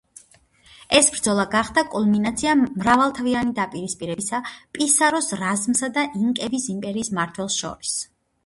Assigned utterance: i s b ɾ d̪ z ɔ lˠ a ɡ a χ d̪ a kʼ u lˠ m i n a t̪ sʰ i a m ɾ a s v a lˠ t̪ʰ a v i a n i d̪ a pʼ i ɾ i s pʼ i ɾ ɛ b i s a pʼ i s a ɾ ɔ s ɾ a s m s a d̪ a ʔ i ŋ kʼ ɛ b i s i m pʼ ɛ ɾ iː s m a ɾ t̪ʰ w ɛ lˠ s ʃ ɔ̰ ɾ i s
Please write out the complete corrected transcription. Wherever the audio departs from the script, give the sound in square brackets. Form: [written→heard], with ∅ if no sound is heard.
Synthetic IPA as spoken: [i→ɛ] s b ɾ d̪ z ɔ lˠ a ɡ a χ d̪ a kʼ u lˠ m i n a t̪ sʰ i a m ɾ a [s→∅] v a lˠ t̪ʰ a v i a n i d̪ a pʼ i ɾ i s pʼ i ɾ ɛ b i s a pʼ i s a ɾ ɔ s ɾ a [s→z] m s a d̪ a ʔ i ŋ kʼ ɛ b i s i m pʼ ɛ ɾ iː s m a ɾ t̪ʰ w ɛ lˠ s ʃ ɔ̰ ɾ i s